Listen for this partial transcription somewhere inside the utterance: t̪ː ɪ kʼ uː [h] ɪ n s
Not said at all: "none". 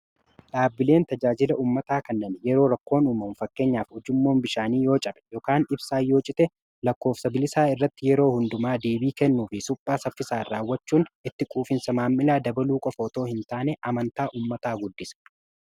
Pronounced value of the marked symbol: f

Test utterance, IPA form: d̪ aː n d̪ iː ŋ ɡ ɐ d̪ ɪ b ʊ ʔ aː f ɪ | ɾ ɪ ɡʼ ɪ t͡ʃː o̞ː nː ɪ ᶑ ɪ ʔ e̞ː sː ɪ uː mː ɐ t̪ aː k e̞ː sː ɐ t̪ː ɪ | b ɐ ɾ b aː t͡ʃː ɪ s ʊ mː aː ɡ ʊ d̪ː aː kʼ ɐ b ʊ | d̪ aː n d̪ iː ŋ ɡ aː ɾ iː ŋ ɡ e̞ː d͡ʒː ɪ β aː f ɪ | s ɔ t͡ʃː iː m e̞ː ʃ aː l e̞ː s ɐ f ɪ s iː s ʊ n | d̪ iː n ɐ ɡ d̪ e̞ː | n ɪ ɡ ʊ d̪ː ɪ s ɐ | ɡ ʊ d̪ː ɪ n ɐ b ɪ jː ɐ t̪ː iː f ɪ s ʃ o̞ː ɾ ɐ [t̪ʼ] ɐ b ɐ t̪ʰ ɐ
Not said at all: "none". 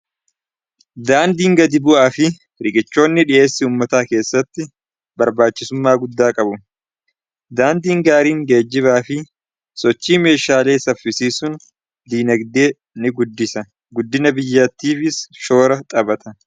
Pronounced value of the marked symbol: t̪ʼ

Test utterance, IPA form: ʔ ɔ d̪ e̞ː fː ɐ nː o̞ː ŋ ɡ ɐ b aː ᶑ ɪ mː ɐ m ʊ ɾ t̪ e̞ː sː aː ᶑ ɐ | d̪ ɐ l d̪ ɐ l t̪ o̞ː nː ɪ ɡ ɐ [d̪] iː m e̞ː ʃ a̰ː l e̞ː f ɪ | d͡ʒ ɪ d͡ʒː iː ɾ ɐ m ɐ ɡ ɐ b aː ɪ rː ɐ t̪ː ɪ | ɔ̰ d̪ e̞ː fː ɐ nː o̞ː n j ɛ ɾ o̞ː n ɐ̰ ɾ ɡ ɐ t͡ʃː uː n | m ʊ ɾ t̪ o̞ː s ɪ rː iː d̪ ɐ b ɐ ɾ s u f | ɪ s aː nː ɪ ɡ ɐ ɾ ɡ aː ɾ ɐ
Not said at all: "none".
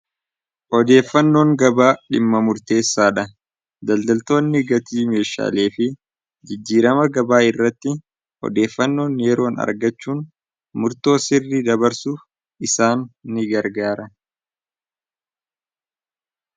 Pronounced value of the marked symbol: t̪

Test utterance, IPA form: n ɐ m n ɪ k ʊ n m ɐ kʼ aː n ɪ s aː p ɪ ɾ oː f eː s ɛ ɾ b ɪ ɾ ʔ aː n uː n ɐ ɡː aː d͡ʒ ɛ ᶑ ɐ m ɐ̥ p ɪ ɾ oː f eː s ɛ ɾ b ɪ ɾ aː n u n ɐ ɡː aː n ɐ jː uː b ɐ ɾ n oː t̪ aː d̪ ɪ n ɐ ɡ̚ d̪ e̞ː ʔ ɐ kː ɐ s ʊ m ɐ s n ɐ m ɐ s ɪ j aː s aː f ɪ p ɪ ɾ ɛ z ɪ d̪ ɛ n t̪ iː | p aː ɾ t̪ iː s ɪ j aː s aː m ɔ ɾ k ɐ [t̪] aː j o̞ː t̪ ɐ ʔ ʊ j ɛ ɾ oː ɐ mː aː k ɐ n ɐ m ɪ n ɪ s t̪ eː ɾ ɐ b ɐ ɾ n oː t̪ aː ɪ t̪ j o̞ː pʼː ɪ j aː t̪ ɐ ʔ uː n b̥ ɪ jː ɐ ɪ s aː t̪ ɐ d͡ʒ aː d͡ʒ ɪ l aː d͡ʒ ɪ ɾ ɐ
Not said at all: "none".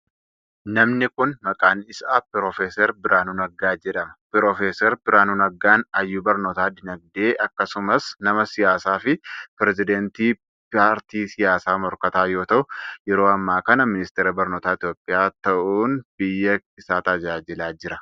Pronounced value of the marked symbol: t̪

